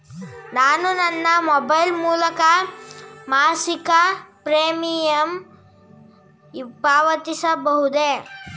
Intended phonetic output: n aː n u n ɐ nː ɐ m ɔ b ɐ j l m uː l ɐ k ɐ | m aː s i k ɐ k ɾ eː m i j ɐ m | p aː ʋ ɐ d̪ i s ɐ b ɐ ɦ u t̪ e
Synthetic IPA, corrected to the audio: n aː n u n ɐ nː ɐ m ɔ b ɐ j l m uː l ɐ k ɐ | m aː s i k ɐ p ɾ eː m i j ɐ m | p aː ʋ ɐ t̪ i s ɐ b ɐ ɦ u d̪ e